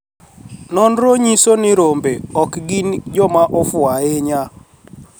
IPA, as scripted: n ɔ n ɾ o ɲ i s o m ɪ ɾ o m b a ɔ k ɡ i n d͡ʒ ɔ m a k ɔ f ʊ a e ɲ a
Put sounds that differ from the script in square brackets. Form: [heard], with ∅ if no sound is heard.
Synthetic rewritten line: n ɔ n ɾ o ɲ i s o [n] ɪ ɾ o m b [e] ɔ k ɡ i n d͡ʒ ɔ m a [ʔ] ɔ f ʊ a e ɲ a